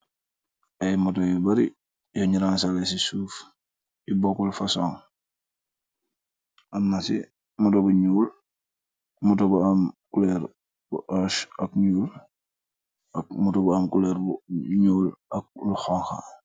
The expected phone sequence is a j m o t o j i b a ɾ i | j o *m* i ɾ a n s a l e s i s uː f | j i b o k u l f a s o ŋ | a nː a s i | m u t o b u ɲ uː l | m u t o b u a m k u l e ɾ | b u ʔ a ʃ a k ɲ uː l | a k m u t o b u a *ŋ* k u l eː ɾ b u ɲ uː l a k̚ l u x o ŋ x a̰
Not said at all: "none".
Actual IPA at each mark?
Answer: ɲ, m

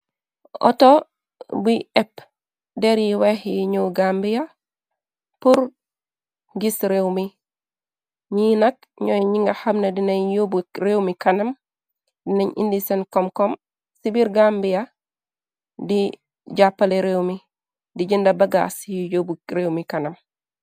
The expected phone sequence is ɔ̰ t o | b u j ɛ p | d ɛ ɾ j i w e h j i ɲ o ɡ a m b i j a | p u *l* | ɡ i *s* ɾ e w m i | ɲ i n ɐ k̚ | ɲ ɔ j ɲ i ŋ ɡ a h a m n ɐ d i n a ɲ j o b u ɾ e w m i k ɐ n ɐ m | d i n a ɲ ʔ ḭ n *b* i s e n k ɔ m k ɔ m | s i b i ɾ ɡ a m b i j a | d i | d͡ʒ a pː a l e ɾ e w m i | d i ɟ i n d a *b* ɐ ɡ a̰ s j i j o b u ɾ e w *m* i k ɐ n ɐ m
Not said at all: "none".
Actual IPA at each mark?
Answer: ɾ, s, d, b, m

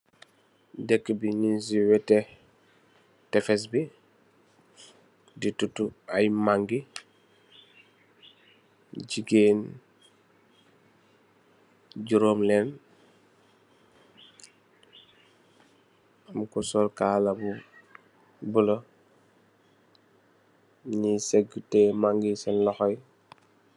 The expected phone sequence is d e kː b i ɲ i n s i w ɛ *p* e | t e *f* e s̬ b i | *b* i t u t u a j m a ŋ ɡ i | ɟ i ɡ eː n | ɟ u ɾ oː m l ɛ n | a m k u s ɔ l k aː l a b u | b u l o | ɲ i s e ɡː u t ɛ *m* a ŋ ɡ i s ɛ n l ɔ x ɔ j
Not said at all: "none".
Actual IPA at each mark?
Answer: t, f, d, m

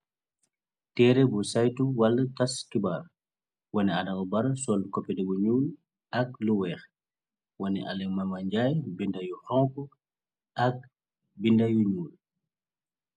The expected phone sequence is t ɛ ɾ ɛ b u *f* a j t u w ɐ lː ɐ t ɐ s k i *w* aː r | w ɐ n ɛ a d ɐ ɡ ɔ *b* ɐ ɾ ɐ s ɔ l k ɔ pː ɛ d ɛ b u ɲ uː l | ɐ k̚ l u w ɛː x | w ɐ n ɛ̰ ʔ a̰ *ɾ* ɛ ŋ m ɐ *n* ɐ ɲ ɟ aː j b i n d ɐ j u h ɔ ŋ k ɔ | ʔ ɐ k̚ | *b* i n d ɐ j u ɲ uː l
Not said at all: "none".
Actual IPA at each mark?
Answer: s, b, b, l, m, b

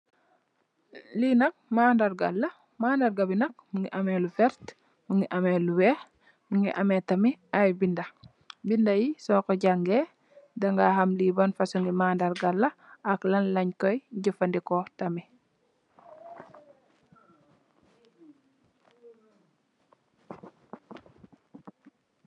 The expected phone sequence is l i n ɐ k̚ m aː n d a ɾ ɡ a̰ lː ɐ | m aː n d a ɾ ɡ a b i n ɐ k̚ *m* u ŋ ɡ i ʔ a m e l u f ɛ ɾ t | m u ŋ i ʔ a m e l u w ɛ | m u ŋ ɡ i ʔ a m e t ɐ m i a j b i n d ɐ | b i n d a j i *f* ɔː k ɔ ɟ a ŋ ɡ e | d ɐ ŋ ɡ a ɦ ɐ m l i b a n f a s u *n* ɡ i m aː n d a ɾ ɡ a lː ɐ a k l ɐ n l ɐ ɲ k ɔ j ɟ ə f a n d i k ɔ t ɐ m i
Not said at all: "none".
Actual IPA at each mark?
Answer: m, s, ŋ

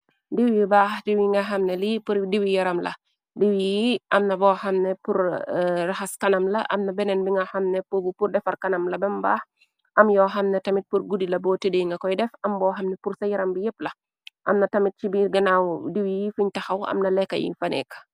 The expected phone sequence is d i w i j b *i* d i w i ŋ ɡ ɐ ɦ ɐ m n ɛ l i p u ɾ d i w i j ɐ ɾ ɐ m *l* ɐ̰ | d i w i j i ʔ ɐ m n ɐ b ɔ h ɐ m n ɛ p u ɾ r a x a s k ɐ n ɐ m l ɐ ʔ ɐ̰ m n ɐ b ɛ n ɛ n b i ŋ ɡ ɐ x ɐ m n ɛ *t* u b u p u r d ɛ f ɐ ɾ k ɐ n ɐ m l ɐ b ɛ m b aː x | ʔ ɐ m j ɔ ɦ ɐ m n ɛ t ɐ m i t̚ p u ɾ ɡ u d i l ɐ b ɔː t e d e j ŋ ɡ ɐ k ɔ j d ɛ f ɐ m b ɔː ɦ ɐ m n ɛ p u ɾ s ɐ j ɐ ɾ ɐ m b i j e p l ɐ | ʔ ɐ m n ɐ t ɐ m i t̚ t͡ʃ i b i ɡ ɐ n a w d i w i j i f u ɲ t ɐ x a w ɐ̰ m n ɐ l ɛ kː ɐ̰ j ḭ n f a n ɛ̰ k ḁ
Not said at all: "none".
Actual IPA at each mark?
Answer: a, l, p

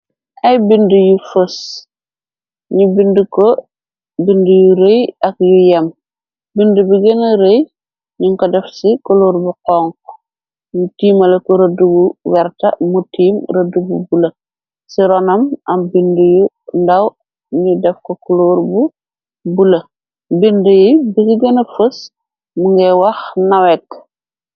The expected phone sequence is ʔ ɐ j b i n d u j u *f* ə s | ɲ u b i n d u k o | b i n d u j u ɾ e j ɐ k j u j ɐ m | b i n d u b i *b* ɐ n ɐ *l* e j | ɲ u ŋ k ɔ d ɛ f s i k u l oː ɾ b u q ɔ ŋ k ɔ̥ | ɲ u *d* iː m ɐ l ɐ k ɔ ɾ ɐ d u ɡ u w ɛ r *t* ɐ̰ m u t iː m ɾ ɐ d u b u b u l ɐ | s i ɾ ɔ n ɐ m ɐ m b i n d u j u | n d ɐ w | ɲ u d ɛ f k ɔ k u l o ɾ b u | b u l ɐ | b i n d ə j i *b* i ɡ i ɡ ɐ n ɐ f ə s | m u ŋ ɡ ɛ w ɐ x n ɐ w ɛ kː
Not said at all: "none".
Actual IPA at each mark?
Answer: f, ɡ, ɾ, t, t, b

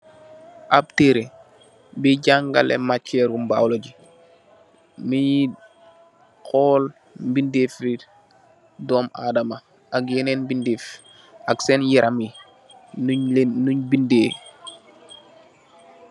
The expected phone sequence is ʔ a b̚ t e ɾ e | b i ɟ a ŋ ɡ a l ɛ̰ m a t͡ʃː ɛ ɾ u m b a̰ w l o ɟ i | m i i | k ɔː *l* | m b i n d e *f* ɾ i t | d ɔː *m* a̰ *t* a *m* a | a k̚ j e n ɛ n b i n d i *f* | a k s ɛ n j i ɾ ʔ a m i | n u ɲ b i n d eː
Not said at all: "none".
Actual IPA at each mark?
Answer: l, f, m, d, m, f

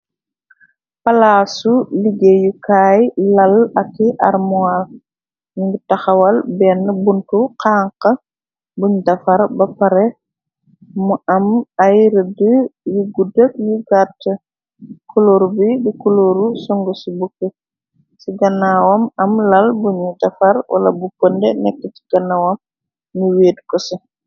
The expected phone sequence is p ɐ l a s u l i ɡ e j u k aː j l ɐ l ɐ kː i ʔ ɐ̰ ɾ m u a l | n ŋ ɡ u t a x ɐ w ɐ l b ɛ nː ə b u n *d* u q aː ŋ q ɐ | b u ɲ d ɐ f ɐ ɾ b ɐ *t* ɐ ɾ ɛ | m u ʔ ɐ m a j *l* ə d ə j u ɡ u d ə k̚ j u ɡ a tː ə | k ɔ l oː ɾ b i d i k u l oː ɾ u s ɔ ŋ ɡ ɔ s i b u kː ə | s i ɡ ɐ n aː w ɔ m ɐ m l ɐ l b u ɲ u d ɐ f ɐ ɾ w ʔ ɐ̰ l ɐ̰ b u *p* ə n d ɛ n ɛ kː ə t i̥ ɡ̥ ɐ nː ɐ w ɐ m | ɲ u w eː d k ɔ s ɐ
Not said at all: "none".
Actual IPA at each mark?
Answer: t, p, ɾ, p

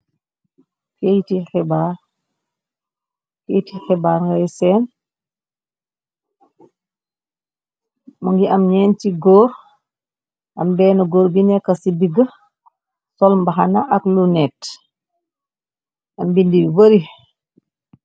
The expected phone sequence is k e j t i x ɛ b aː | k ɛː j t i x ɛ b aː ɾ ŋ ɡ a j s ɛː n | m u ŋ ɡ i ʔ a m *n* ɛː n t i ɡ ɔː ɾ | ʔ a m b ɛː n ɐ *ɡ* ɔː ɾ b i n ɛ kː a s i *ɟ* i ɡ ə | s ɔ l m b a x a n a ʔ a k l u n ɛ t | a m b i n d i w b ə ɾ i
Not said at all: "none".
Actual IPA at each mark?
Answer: ɲ, ɡ, d

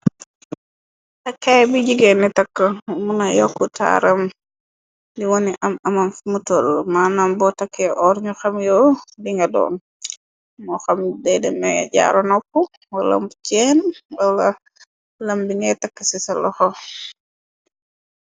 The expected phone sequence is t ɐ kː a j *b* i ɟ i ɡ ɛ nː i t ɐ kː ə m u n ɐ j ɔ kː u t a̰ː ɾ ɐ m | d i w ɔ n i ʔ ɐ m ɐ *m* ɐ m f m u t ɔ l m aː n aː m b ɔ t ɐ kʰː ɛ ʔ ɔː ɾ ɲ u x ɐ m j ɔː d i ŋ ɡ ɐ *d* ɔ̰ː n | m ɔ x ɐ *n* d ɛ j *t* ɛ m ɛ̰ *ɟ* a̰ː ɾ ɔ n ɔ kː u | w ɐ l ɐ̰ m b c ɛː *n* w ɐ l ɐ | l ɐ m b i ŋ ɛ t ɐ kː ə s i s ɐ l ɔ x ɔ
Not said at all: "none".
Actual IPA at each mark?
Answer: b, m, d, m, d, ɟ, n

